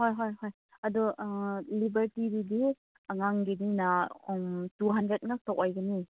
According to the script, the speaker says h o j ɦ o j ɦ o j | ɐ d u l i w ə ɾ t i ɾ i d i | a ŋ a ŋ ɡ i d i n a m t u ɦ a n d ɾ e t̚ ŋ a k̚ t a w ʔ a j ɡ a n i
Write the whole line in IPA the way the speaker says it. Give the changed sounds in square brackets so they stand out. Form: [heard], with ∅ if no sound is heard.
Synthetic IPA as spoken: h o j ɦ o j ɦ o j | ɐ d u l i [b] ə ɾ t i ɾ i d i | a ŋ a ŋ ɡ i d i n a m t u ɦ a n d ɾ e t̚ ŋ a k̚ t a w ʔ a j ɡ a n i